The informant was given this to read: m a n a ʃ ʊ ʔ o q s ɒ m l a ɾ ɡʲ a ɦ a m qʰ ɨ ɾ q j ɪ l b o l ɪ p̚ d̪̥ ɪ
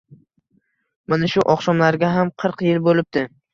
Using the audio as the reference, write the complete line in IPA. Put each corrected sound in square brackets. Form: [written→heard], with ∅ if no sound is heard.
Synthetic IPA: m a n a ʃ ʊ ʔ [o→ɒ] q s ɒ m l a ɾ ɡʲ a ɦ a m qʰ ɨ ɾ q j ɪ l b o l ɪ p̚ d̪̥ ɪ